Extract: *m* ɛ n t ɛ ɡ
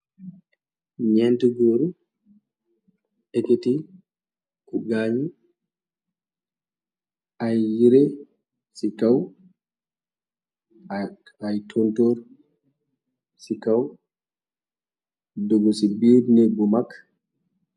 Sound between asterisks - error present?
yes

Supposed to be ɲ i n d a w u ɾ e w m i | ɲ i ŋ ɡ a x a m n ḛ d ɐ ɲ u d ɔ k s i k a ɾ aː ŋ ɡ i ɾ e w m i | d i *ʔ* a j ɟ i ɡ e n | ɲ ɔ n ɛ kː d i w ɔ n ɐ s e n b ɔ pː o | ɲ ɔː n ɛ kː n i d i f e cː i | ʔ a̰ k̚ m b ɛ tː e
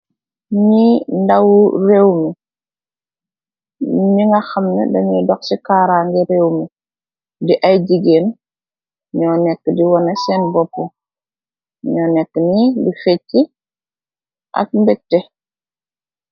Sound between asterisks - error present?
no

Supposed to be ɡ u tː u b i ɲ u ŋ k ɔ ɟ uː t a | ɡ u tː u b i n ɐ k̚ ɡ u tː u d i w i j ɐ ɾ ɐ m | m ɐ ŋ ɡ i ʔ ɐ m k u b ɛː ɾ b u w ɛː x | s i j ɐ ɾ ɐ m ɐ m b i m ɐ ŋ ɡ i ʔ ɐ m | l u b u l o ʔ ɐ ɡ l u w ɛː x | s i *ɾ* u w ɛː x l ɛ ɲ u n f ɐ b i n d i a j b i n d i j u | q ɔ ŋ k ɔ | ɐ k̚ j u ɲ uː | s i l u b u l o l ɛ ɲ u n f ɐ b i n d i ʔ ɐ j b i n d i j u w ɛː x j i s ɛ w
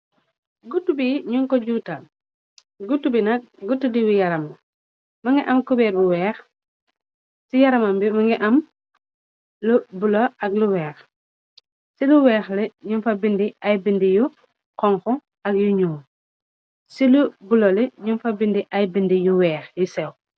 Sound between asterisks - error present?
yes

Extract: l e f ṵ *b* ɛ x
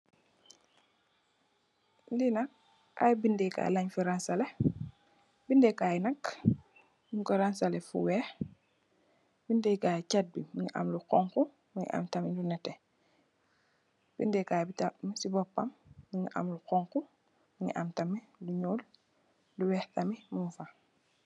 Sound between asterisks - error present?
yes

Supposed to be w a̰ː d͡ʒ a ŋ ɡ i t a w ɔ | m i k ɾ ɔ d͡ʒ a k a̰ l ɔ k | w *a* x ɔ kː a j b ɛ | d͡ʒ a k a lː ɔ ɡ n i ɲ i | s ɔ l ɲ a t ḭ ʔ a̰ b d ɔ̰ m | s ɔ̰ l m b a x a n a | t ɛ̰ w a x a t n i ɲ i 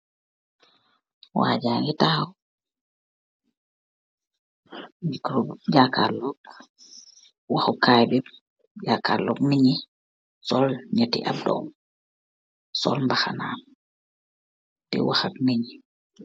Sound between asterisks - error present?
no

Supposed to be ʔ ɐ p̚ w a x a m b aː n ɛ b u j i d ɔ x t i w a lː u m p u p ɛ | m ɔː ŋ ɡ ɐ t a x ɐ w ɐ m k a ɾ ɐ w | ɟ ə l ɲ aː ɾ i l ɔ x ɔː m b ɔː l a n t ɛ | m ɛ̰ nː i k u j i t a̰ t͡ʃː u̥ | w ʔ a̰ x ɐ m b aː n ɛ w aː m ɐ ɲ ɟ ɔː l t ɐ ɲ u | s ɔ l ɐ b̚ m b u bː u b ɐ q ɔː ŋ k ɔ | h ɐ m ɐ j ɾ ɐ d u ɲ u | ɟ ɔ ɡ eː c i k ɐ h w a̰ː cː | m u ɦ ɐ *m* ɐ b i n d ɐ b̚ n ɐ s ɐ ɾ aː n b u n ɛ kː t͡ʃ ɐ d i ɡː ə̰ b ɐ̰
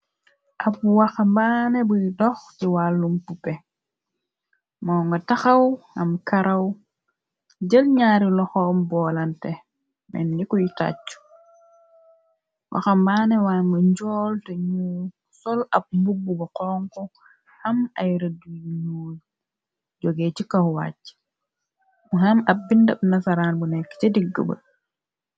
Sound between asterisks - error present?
no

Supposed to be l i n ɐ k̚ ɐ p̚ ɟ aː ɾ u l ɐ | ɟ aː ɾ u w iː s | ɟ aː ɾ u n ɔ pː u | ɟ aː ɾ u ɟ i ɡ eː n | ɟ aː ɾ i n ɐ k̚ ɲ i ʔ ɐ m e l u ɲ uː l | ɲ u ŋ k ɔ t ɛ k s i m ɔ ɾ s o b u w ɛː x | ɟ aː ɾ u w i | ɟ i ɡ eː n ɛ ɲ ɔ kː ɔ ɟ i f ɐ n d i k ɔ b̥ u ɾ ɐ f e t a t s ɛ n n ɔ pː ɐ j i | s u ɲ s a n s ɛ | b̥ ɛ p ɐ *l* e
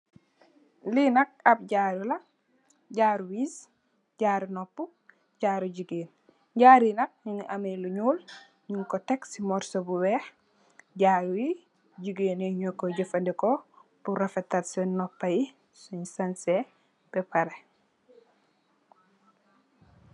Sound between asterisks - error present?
yes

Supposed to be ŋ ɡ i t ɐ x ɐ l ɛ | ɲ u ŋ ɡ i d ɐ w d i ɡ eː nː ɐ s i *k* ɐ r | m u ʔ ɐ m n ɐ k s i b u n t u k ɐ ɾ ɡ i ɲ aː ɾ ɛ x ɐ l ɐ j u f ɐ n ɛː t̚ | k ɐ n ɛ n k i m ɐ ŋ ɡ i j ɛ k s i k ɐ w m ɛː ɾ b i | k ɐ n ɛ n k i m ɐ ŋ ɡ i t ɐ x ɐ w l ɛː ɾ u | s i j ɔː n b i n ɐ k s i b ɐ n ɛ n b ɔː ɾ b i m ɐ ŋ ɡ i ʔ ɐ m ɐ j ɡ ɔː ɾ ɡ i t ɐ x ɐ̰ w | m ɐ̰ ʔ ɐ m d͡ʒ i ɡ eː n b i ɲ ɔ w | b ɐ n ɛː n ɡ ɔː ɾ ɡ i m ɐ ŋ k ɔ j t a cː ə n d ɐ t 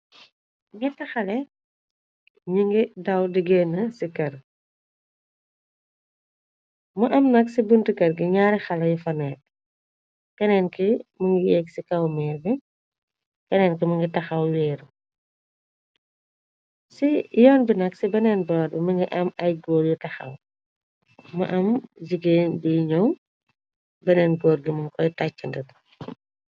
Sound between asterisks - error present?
no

